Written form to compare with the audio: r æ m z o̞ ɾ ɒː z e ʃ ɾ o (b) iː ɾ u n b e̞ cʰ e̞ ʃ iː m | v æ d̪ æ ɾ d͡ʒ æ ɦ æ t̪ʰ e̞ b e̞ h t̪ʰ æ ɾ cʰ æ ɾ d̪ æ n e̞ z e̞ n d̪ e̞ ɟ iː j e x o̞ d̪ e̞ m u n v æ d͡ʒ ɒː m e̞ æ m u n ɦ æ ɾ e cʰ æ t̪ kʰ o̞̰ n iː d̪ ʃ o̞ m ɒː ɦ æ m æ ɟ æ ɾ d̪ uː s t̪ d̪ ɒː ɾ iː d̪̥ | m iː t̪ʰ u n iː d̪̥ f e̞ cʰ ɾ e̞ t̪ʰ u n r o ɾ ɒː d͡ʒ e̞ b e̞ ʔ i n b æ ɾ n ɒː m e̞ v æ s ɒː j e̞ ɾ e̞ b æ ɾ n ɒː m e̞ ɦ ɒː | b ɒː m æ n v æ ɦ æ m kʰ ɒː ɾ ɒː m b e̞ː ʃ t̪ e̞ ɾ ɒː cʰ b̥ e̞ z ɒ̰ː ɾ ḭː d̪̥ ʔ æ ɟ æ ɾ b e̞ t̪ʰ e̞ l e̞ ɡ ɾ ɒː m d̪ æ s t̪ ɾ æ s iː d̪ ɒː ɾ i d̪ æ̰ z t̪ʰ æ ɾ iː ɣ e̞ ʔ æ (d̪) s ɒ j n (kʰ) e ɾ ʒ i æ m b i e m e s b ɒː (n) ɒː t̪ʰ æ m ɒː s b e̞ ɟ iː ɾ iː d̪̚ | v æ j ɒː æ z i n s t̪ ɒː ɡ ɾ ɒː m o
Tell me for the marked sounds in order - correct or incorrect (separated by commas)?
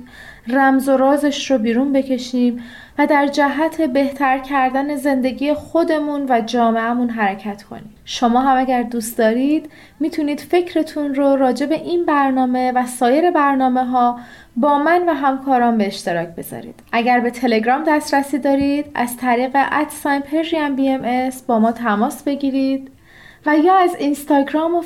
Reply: correct, incorrect, incorrect, incorrect